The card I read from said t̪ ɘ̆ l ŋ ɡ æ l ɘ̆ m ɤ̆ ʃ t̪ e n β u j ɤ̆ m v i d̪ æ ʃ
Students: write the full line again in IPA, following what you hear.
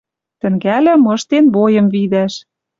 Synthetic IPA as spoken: t̪ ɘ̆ ŋ ɡ æ l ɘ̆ m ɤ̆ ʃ t̪ e n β o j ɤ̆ m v i d̪ æ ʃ